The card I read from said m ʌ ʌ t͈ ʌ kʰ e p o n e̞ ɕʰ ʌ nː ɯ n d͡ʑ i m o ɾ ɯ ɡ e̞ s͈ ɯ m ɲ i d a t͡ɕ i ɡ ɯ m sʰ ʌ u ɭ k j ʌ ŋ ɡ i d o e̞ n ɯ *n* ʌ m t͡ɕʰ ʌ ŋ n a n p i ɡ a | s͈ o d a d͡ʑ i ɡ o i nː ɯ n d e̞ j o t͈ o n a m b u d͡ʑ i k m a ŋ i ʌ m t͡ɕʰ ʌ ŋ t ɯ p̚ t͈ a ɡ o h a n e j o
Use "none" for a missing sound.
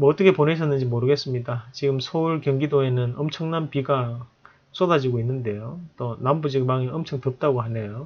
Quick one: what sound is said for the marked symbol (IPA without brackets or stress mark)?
n